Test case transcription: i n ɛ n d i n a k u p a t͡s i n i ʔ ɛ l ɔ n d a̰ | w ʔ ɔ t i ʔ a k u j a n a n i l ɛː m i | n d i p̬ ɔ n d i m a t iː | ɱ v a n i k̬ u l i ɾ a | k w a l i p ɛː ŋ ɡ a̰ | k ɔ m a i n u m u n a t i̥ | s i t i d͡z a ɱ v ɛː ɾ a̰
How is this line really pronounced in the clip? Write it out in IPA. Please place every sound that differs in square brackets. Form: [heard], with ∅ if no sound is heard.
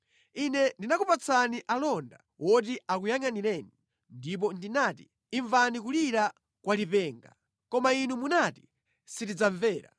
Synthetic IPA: i n ɛ n d i n a k u p a t͡s [a] n i ʔ [a] l ɔ n d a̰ | w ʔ ɔ t i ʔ a k u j a [ŋ] a n i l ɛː [n] i | n d i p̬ ɔ n d i [n] a t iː | ɱ v a n i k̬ u l i ɾ a | k w a l i p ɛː ŋ ɡ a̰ | k ɔ m a i n u m u n a t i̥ | s i t i d͡z a ɱ v ɛː ɾ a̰

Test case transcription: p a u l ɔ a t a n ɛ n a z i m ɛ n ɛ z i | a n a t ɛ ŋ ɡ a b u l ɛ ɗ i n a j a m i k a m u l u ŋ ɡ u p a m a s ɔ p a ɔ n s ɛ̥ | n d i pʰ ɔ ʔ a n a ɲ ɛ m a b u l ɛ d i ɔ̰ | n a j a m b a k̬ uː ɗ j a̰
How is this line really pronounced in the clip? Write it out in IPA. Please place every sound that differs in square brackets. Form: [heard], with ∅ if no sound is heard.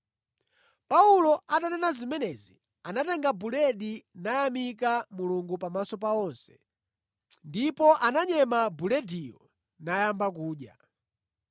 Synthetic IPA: p a u l ɔ a t a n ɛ n a z i m ɛ n ɛ z i | a n a t ɛ ŋ ɡ a b u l ɛ ɗ i n a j a m i k a m u l u ŋ ɡ u p a m a s ɔ p a ɔ n s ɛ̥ | n d i [p] ɔ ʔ a n a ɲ ɛ m a b u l ɛ d i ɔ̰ | n a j a m b a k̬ uː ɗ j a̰

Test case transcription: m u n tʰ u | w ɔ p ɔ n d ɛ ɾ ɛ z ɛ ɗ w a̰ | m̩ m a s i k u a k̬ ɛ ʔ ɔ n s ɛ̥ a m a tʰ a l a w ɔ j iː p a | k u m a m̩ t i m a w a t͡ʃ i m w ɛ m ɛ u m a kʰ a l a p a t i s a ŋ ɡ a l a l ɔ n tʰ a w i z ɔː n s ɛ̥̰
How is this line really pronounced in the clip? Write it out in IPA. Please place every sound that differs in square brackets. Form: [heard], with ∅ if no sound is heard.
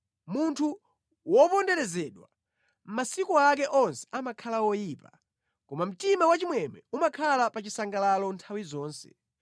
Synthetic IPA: m u n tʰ u | w ɔ p ɔ n d ɛ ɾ ɛ z ɛ ɗ w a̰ | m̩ m a s i k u a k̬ ɛ ʔ ɔ n s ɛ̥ a m a [kʰ] a l a w ɔ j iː p a | k [ɔ] m a m̩ t i m a w a t͡ʃ i m w ɛ m ɛ u m a kʰ a l a p a [t͡ʃ] i s a ŋ ɡ a l a l ɔ n tʰ a w i z ɔː n s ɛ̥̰

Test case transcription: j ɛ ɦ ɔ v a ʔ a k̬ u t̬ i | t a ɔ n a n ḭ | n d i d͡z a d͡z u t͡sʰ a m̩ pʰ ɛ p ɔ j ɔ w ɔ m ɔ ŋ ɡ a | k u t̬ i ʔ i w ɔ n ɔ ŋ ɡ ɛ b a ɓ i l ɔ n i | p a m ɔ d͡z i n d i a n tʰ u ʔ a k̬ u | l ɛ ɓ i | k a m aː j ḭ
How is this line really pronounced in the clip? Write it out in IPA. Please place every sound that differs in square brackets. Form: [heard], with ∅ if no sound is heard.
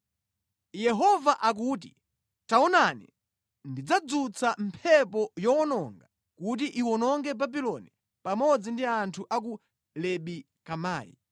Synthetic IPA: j ɛ ɦ ɔ v a ʔ a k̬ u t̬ i | t a ɔ n a n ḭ | n d i d͡z a d͡z u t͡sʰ a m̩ pʰ ɛ p ɔ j ɔ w ɔ [n] ɔ ŋ ɡ a | k u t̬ i ʔ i w ɔ n ɔ ŋ ɡ ɛ b a [b] i l ɔ n i | p a m ɔ d͡z i n d i a n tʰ u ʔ a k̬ u | l ɛ ɓ i | k a m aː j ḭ

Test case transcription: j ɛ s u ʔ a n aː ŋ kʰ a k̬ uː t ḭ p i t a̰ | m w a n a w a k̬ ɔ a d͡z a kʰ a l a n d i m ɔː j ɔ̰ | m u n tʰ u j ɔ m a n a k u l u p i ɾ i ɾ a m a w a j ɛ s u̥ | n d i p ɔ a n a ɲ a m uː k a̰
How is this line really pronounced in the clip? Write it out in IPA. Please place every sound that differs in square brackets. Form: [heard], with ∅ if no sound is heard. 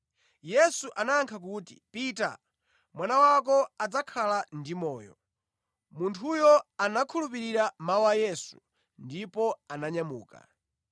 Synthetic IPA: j ɛ s u ʔ a n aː ŋ kʰ a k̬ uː t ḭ p i t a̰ | m w a n a w a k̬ ɔ a d͡z a kʰ a l a n d i m ɔː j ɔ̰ | m u n tʰ u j ɔ [∅] a n a [kʰ] u l u p i ɾ i ɾ a m a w a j ɛ s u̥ | n d i p ɔ a n a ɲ a m uː k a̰

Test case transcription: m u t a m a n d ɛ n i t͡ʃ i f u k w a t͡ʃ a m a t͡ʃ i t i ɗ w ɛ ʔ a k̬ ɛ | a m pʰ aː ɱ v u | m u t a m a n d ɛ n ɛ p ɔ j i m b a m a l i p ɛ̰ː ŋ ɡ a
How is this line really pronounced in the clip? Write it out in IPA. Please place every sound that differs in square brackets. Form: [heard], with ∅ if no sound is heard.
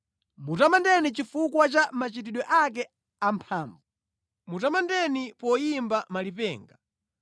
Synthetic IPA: m u t a m a n d ɛ n i t͡ʃ i f u k w a t͡ʃ a m a t͡ʃ i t i ɗ w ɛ ʔ a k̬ ɛ | a m pʰ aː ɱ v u | m u t a m a n d ɛ n [i] p ɔ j i m b a m a l i p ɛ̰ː ŋ ɡ a

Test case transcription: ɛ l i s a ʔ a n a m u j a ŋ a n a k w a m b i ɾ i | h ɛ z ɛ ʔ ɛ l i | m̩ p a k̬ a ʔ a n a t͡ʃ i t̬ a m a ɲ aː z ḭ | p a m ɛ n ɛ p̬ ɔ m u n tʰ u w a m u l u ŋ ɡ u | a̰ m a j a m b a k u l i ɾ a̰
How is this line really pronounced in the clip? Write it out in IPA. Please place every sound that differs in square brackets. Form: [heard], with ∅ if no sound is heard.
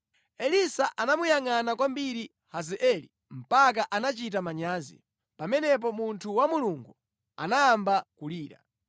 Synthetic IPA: ɛ l i s a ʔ a n a m u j a ŋ a n a k w a m b i ɾ i | h [a] z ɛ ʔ ɛ l i | m̩ p a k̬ a ʔ a n a t͡ʃ i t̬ a m a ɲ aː z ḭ | p a m ɛ n ɛ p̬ ɔ m u n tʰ u w a m u l u ŋ ɡ u | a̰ [n] a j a m b a k u l [iː] ɾ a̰

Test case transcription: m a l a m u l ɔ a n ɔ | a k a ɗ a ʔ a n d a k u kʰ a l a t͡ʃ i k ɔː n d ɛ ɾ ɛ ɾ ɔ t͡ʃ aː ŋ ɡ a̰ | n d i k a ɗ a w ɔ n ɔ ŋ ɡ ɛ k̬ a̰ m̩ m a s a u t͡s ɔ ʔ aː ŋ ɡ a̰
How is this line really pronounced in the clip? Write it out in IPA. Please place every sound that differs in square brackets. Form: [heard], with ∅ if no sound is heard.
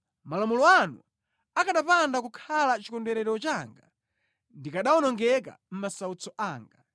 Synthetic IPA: m a l a m u l ɔ a n [u] | a k a ɗ a [p] a n d a k u kʰ a l a t͡ʃ i k [ɔ] n d ɛ ɾ ɛ ɾ ɔ t͡ʃ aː ŋ ɡ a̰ | n d i k a ɗ a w ɔ n ɔ ŋ ɡ ɛ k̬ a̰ m̩ m a s a u t͡s ɔ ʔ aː ŋ ɡ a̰

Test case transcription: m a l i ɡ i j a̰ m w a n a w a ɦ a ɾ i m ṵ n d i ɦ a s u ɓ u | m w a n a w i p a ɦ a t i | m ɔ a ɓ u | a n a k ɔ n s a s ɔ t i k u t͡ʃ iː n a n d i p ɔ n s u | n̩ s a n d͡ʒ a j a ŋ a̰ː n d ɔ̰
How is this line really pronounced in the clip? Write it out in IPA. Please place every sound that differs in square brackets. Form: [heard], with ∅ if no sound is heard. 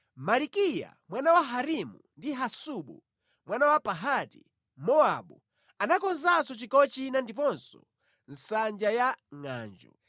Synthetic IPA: m a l i [k] i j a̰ m w a n a w a ɦ a ɾ i m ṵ n d i ɦ a s u ɓ u | m w a n a w [a] p a ɦ a t i | m ɔ a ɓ u | a n a k ɔ n [z] a s ɔ [t͡ʃ] i k [ɔ] t͡ʃ [i] n a n d i p ɔ n s [ɔ] | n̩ s a n d͡ʒ a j a ŋ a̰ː n [d͡ʒ] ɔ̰

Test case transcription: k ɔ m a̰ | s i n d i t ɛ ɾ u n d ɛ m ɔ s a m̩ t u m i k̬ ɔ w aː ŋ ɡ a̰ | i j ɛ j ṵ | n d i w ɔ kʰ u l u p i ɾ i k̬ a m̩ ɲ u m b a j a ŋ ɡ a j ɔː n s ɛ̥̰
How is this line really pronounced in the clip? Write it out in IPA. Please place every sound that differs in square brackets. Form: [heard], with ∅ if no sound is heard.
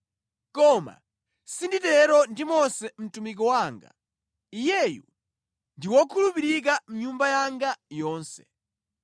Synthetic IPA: k ɔ m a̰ | s i n d i t ɛ ɾ [ɔ] n d [i] m ɔ s [ɛ] m̩ t u m i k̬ ɔ w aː ŋ ɡ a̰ | i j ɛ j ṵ | n d i w ɔ kʰ u l u p i ɾ i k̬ a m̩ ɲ u m b a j a ŋ ɡ a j ɔː n s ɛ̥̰

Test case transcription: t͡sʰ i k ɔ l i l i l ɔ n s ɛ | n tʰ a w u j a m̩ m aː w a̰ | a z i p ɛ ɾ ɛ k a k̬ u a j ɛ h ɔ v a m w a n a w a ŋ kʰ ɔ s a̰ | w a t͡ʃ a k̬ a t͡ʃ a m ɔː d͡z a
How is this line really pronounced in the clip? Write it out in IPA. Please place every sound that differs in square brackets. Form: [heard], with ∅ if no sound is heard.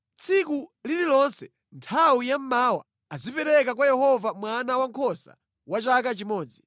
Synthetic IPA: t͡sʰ i k [u] l i l i l ɔ n s ɛ | n tʰ a w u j a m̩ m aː w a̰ | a z i p ɛ ɾ ɛ k a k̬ [w] a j ɛ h ɔ v a m w a n a w a ŋ kʰ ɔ s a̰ | w a t͡ʃ a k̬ a t͡ʃ [i] m ɔː d͡z [i]

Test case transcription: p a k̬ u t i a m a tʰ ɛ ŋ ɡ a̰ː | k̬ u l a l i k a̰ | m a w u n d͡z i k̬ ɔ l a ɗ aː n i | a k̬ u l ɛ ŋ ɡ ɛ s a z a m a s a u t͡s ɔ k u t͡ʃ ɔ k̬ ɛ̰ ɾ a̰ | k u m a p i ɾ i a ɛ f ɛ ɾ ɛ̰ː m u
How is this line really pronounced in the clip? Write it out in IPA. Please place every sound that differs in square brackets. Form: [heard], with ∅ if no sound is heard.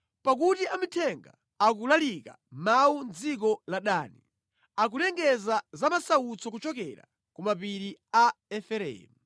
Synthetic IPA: p a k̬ u t i a m [i] tʰ ɛ ŋ ɡ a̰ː | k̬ u l a l i k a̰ | m a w u n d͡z i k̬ ɔ l a ɗ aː n i | a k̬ u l ɛ ŋ ɡ ɛ [z] a z a m a s a u t͡s ɔ k u t͡ʃ ɔ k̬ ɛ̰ ɾ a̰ | k u m a p i ɾ i a ɛ f ɛ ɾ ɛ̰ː m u

